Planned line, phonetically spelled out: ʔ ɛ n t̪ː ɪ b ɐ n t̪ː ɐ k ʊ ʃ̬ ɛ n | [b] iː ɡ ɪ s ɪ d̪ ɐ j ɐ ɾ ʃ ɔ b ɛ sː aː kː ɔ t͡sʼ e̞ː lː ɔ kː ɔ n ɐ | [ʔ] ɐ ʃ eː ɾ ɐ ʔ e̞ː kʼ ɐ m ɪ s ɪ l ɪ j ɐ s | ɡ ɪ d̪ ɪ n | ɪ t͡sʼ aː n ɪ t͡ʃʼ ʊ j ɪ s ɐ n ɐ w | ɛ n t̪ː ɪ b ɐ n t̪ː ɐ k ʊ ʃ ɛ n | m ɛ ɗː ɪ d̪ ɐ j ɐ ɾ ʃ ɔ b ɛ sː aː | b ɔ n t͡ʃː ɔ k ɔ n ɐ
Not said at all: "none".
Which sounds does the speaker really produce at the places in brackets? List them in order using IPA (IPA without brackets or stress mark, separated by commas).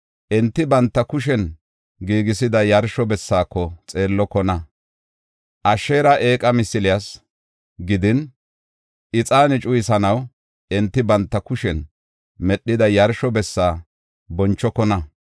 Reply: ɡ, ʔ